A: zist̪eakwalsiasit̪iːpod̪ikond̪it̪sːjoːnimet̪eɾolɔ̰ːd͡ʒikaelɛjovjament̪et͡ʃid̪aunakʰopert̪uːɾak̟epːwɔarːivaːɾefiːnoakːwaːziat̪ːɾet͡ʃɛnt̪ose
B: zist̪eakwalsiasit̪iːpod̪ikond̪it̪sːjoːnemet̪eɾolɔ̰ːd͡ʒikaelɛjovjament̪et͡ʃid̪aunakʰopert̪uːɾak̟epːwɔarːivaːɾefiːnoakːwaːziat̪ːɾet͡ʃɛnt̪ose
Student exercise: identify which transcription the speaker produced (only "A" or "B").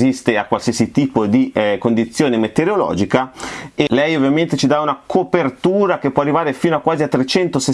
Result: B